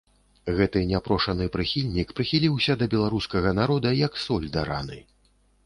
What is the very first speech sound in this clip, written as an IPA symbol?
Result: ɣ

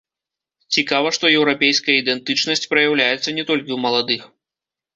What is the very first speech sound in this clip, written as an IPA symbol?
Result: t͡sʲ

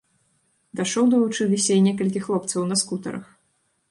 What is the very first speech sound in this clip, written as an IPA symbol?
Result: d̪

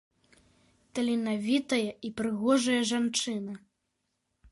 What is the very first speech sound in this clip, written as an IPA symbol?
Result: t̪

